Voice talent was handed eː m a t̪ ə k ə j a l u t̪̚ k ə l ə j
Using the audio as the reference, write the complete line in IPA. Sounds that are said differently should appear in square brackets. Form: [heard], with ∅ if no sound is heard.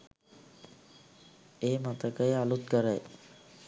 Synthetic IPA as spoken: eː m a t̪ ə k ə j a l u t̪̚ k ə [ɾ] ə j